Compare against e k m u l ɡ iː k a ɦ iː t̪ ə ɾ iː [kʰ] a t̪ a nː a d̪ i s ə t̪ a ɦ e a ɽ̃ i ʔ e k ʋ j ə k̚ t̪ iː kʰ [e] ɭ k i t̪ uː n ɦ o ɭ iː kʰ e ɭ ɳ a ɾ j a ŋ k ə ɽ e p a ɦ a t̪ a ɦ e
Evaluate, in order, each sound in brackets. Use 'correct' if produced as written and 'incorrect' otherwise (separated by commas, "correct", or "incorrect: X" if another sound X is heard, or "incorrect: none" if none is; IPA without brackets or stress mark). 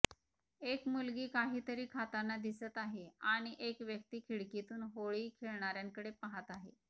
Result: correct, incorrect: i